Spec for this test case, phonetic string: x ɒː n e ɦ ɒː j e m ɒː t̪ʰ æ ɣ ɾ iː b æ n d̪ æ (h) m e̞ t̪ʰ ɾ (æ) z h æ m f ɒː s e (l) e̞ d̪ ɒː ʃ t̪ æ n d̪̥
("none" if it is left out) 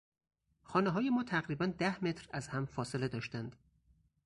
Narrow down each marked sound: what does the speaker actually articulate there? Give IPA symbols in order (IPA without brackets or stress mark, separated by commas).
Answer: h, æ, l